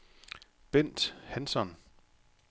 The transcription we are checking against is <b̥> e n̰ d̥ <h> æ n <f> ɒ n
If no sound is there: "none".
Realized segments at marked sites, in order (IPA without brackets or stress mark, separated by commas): b̥, h, s